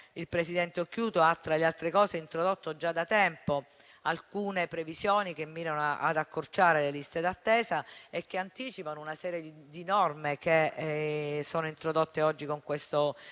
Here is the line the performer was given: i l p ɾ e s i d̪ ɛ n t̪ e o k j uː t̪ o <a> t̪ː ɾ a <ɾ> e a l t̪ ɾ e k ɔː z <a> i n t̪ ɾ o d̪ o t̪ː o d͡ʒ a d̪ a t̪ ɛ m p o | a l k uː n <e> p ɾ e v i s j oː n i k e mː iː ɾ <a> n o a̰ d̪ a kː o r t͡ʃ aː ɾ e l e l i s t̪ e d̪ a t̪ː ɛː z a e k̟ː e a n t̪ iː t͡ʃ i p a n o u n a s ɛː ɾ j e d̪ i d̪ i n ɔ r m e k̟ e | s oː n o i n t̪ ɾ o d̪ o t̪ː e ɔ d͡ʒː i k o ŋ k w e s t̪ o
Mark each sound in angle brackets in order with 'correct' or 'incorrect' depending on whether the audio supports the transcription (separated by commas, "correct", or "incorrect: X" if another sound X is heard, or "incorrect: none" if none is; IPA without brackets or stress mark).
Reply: correct, incorrect: l, incorrect: e, correct, correct